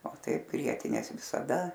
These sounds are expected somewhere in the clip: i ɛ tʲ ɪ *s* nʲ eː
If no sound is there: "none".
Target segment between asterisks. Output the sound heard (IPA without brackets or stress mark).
none